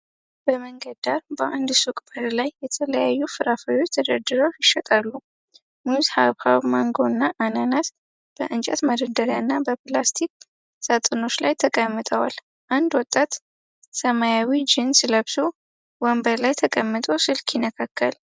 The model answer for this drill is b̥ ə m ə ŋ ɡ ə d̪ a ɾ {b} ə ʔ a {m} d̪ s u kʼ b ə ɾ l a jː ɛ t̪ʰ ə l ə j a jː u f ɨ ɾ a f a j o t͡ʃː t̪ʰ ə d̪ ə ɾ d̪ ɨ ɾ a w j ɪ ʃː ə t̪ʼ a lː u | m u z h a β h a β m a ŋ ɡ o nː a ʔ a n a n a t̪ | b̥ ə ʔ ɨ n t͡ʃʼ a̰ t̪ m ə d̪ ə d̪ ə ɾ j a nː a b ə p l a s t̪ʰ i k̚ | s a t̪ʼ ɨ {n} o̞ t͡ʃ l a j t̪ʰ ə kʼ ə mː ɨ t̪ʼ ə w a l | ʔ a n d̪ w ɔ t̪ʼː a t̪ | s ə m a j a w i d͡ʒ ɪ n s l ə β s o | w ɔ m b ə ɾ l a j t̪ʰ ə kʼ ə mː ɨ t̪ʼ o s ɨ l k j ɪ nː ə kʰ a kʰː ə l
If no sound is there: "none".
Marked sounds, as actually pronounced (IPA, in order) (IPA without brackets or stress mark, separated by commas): b, n, n